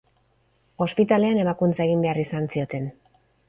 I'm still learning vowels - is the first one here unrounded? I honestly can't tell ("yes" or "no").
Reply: no